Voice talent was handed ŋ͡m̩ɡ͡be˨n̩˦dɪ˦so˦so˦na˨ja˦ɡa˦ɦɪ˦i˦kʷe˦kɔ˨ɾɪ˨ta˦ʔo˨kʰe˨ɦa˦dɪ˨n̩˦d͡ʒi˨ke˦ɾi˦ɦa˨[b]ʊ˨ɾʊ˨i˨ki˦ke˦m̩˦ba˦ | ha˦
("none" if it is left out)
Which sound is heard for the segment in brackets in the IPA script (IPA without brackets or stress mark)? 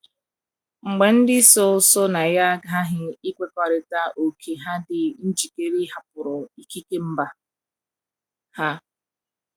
p